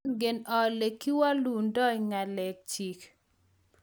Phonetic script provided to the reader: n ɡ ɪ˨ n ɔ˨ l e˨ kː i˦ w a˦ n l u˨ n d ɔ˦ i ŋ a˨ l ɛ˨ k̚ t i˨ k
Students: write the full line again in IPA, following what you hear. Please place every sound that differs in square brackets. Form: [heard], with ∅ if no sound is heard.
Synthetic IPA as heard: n ɡ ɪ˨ n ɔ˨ l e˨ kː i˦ w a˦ [∅] l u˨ n d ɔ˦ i ŋ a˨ l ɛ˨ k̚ [t͡ʃ] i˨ k